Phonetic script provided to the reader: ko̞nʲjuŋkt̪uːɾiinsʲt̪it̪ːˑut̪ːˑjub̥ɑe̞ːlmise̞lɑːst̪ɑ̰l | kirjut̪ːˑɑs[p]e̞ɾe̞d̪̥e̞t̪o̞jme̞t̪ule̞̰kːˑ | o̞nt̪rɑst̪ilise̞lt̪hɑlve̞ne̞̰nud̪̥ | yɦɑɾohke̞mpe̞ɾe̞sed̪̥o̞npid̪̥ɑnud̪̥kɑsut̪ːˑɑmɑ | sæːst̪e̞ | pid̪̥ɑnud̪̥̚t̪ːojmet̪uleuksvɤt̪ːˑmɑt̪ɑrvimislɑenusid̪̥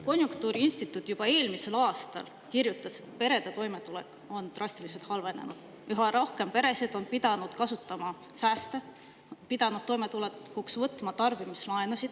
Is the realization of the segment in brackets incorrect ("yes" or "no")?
no